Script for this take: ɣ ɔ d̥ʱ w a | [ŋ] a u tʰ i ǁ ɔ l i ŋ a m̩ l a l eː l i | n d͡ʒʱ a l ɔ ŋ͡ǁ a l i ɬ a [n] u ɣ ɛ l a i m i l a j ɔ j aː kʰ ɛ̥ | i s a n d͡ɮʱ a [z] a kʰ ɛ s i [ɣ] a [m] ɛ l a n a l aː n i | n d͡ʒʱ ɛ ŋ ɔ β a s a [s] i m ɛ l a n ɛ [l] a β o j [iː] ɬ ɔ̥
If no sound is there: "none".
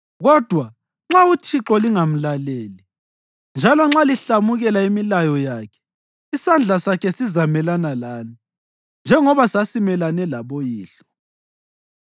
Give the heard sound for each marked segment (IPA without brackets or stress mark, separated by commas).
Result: ŋ͡ǁ, m, s, z, m, s, l, iː